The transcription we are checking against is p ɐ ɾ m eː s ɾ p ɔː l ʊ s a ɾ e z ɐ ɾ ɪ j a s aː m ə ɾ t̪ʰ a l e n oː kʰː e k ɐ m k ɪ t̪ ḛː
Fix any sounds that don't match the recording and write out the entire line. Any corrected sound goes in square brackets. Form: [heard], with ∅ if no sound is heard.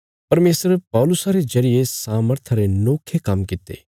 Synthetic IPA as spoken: p ɐ ɾ m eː s ɾ p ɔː l ʊ s a ɾ e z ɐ ɾ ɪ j [e] s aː m ə ɾ t̪ʰ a [ɾ] e n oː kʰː e k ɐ m k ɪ t̪ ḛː